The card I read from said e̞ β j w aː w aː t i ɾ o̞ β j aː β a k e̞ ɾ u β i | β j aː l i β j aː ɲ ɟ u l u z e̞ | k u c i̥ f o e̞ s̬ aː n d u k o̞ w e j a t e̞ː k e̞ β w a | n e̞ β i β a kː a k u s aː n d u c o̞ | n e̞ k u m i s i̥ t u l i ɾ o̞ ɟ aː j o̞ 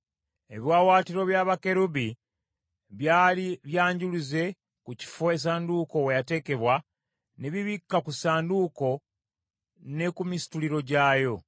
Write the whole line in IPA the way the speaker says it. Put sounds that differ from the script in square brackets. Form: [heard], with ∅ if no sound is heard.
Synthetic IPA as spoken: e̞ β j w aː w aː t i ɾ o̞ β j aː β a k e̞ ɾ u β i | β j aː l i β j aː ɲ ɟ u l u z e̞ | k u c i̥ f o e̞ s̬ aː n d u k o̞ w e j a t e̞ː k e̞ β w a | n e̞ β i β [i] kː a k u s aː n d u [k] o̞ | n e̞ k u m i s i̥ t u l i ɾ o̞ ɟ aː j o̞

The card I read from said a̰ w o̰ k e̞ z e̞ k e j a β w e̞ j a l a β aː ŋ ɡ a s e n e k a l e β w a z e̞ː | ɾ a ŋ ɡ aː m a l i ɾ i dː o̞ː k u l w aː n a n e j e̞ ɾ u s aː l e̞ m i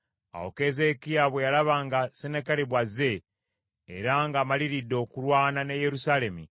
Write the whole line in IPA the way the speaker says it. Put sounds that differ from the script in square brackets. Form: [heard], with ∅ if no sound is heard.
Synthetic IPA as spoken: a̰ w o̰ k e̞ z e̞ k [i] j a β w e̞ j a l a β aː ŋ ɡ a s e n e k a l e β w a z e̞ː | ɾ a ŋ ɡ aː m a l i ɾ i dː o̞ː k u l w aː n a n e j e̞ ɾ u s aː l e̞ m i

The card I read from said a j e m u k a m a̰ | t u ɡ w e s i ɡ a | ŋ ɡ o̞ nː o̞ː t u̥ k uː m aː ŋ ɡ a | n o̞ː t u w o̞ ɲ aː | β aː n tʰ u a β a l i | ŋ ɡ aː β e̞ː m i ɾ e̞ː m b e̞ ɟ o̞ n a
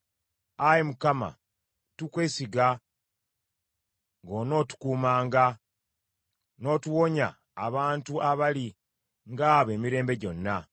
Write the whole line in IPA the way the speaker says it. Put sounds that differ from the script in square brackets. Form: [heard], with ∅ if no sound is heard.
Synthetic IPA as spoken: a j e m u k a m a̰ | t u [k] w e s i ɡ a | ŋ ɡ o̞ [n] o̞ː t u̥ k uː m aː ŋ ɡ a | n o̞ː t u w o̞ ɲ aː | β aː n [t] u a β a l i | ŋ ɡ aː β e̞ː m i ɾ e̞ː m b e̞ ɟ o̞ [nː] a

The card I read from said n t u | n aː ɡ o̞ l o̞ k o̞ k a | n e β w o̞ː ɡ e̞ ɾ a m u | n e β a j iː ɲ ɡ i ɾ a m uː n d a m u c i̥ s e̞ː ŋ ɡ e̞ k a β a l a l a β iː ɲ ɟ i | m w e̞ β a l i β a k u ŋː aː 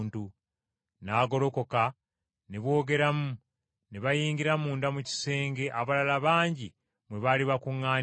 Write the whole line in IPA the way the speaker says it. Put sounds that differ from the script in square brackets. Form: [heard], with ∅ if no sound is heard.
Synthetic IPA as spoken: n t u | n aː ɡ o̞ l o̞ k o̞ k a | n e β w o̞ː ɡ e̞ ɾ a m u | n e β a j iː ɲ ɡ i ɾ a m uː n d a m u c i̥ s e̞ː ŋ ɡ e̞ [ʔ] a β a l a l a β [aː] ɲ ɟ i | m w e̞ β a l i β a k u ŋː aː

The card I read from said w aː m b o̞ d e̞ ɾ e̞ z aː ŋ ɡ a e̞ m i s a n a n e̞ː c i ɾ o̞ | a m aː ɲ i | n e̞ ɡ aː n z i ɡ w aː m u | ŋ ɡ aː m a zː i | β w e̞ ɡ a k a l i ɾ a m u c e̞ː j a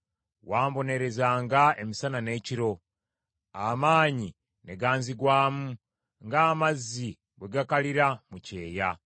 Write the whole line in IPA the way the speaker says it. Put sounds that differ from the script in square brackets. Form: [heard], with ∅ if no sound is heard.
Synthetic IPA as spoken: w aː m b o̞ [n] e̞ ɾ e̞ z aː ŋ ɡ a e̞ m i s a n a n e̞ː c i ɾ o̞ | a m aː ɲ i | n e̞ ɡ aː n z i ɡ w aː m u | ŋ ɡ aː m a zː i | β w e̞ ɡ a k a l i ɾ a m u c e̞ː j a

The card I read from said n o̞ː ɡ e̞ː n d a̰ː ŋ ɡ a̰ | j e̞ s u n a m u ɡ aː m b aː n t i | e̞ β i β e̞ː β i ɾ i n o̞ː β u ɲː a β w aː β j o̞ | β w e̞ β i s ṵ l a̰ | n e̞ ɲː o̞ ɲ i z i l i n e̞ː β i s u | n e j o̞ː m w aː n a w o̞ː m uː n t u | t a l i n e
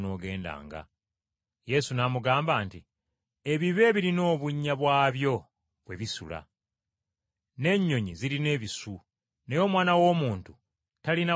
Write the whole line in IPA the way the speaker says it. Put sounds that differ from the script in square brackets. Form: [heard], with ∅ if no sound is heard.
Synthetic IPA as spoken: n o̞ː ɡ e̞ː n d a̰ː ŋ ɡ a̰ | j e̞ s u n a m u ɡ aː m b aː n t i | e̞ β i β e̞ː β i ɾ i n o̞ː β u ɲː a β w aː β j o̞ | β w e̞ β i s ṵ l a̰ | n e̞ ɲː o̞ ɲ i z i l i n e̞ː β i s u | n e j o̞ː m w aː n a w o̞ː m uː n t u | t a l i n [a]

